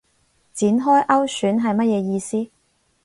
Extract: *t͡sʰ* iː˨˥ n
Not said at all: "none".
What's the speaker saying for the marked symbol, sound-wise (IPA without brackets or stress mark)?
t͡s